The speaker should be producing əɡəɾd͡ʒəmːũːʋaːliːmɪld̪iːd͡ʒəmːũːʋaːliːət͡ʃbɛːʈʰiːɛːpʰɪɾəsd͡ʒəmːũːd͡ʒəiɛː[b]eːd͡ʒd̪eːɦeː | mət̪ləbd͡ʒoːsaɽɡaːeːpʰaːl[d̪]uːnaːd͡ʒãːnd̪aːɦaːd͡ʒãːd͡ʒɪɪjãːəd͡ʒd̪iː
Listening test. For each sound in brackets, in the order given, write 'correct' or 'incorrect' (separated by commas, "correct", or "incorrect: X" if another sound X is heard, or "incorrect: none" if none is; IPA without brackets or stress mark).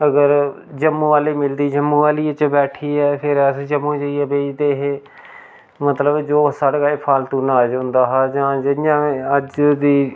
correct, incorrect: t̪